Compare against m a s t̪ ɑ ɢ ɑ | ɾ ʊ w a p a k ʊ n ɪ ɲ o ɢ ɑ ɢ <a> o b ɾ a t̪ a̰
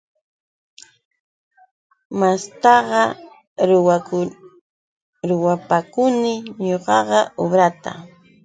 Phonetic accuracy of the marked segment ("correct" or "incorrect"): incorrect